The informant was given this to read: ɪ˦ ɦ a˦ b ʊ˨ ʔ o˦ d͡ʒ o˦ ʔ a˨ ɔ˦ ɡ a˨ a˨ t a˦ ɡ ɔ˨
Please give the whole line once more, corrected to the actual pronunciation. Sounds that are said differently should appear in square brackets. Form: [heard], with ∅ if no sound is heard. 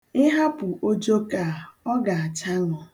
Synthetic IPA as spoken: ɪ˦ ɦ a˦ [p] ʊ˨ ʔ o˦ d͡ʒ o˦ [k] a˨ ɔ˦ ɡ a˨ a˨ [t͡ʃ] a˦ [ŋ] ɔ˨